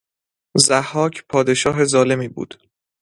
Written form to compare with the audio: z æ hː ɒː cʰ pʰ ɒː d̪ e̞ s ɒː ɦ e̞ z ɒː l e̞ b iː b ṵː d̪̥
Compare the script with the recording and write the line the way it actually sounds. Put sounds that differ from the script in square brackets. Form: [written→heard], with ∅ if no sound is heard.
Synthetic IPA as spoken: z æ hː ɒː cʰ pʰ ɒː d̪ e̞ [s→ʃ] ɒː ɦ e̞ z ɒː l e̞ [b→m] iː b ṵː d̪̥